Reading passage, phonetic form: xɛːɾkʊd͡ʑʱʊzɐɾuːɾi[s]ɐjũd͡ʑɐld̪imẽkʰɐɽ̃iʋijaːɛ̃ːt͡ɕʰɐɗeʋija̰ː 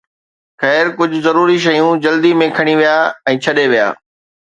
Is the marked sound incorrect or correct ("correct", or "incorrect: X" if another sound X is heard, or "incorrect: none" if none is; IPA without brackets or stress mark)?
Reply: incorrect: ʃ